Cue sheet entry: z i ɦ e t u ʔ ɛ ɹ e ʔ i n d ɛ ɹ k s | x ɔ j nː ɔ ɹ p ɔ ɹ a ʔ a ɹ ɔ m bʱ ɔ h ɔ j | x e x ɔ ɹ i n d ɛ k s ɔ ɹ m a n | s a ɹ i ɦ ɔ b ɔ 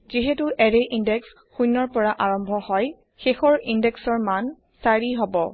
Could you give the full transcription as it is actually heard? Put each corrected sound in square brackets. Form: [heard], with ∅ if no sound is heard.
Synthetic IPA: z i ɦ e t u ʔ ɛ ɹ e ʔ i n d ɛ [∅] k s | x [u] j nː ɔ ɹ p ɔ ɹ a ʔ a ɹ ɔ m bʱ ɔ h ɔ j | x e x ɔ ɹ i n d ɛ k s ɔ ɹ m a n | s a ɹ i ɦ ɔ b ɔ